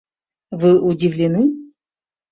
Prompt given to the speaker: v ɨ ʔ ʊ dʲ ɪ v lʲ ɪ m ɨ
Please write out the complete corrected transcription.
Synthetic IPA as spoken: v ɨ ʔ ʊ dʲ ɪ v lʲ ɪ n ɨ